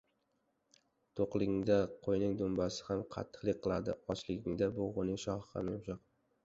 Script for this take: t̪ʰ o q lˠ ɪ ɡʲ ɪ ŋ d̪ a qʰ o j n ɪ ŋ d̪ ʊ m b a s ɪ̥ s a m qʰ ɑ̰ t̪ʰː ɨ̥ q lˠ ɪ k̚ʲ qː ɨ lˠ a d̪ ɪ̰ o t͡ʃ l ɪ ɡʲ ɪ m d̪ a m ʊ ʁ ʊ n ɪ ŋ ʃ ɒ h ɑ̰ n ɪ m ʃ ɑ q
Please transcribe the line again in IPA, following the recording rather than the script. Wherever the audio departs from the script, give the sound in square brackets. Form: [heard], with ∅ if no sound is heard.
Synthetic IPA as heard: t̪ʰ o q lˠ ɪ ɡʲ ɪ ŋ d̪ a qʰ o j n ɪ ŋ d̪ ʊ m b a s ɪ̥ [h] a m qʰ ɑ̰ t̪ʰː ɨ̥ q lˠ ɪ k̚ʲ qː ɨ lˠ a d̪ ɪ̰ [ɒ] t͡ʃ l ɪ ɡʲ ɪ [ŋ] d̪ a [b] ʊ ʁ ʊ n ɪ ŋ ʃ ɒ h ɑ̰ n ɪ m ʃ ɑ q